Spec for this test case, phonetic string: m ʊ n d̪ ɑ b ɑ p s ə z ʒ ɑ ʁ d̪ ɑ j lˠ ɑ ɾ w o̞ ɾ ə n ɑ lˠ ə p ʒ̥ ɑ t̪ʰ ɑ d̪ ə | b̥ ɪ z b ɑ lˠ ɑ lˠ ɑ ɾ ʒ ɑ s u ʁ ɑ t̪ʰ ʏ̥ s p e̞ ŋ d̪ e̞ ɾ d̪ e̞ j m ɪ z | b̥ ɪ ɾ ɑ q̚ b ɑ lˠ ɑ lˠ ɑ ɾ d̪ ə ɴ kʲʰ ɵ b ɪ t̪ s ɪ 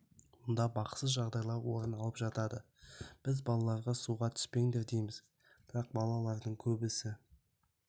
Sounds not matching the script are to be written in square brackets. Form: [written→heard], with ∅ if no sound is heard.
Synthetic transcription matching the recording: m ʊ n d̪ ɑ b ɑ [p→q] s ə z ʒ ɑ ʁ d̪ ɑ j lˠ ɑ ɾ w o̞ ɾ ə n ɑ lˠ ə p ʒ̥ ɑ [t̪ʰ→t̪] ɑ d̪ ə | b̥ ɪ z b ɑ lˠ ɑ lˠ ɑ ɾ [ʒ→ʁ] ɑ s u ʁ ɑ t̪ʰ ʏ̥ s p e̞ ŋ d̪ e̞ ɾ d̪ e̞ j m ɪ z | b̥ ɪ ɾ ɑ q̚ b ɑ lˠ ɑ lˠ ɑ ɾ d̪ ə ɴ kʲʰ ɵ b ɪ [t̪→∅] s ɪ